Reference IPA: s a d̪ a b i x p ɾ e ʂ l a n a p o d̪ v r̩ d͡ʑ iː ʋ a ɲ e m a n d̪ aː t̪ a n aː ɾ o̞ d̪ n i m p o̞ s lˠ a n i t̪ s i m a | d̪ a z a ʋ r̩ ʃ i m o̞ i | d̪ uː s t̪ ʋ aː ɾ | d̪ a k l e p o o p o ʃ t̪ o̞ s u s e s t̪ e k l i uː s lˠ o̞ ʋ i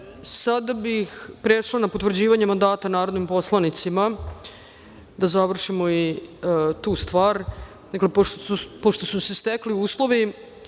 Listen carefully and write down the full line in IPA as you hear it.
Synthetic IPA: s a d̪ a b i x p ɾ e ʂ l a n a p o t̪ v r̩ d͡ʑ iː ʋ a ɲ e m a n d̪ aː t̪ a n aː ɾ o̞ d̪ n i m p o̞ s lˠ a n i t̪ s i m a | d̪ a z a ʋ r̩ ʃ i m o̞ i | t̪ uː s t̪ ʋ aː ɾ | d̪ a k l e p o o p o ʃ t̪ o̞ s u s e s t̪ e k l i uː s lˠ o̞ ʋ i